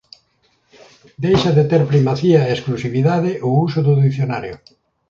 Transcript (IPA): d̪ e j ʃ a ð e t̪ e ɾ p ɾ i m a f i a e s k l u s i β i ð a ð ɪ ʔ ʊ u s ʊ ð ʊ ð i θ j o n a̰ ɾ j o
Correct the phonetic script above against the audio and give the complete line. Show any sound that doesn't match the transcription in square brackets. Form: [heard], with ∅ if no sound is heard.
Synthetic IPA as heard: d̪ e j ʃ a ð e t̪ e ɾ p ɾ i m a [θ] i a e s k l u s i β i ð a ð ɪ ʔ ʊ u s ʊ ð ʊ ð i θ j o n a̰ ɾ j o